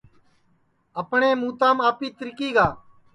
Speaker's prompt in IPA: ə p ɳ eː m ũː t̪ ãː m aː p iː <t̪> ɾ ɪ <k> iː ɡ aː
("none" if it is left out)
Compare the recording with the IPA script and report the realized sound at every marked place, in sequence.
t̪, k

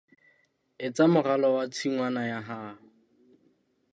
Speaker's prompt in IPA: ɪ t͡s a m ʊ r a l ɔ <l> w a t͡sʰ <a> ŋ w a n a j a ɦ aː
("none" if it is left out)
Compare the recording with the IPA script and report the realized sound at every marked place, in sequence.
none, i

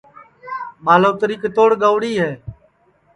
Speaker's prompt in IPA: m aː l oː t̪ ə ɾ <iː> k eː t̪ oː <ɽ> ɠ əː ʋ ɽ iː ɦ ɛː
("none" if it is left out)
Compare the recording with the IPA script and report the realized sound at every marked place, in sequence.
iː, ɽ

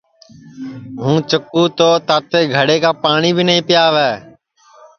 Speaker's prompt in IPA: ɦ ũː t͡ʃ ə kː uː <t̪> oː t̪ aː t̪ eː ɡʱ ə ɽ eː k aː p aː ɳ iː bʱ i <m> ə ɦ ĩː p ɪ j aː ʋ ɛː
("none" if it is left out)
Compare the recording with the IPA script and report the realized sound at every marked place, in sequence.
t̪, n

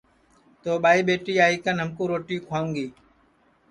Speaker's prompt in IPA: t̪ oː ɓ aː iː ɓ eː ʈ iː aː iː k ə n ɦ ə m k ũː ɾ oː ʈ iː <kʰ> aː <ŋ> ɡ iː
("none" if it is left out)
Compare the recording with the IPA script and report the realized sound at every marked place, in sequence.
kʰ, ŋ

